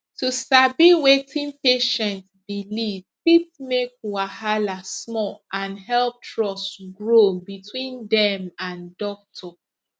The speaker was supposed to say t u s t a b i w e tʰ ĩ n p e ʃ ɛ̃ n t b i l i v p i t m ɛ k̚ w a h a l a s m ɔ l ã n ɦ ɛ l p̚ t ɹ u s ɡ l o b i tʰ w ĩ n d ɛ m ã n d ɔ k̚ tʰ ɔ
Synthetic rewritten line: t u s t a b i w e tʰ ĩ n p e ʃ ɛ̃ n t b i l i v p i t m e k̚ w a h a l a s m ɔ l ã n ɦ ɛ l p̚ t ɹ ɔ s ɡ ɹ o b i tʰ w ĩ n d ɛ m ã n d ɔ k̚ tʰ ɔ